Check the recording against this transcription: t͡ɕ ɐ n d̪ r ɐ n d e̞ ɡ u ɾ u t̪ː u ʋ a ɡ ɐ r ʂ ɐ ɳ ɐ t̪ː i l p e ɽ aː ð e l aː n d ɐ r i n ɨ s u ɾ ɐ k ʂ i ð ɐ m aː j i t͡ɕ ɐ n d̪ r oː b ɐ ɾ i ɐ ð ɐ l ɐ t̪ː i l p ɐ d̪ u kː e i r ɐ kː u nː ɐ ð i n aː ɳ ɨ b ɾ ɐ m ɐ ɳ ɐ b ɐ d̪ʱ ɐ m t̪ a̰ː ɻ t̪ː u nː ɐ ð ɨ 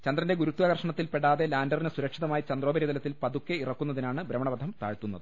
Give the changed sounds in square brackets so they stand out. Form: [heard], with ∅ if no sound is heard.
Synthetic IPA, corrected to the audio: t͡ɕ ɐ n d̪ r ɐ n d e̞ ɡ u ɾ u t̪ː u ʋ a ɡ ɐ r ʂ ɐ ɳ ɐ t̪ː i l p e ɽ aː ð e l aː n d ɐ r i n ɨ s u ɾ ɐ k ʂ i ð ɐ m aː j i t͡ɕ ɐ n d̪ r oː b ɐ ɾ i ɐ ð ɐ l ɐ t̪ː i l p ɐ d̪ u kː e i r ɐ kː u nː ɐ ð i n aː ɳ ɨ b ɾ ɐ m ɐ ɳ ɐ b ɐ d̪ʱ ɐ m t̪ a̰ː ɻ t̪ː u nː ɐ ð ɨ